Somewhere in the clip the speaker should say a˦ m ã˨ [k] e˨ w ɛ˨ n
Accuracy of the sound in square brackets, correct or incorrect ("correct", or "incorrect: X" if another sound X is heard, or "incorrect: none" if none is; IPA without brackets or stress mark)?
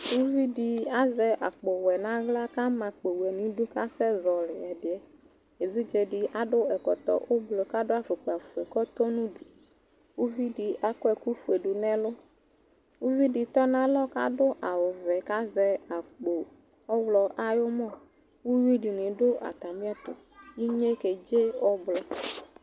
incorrect: k͡p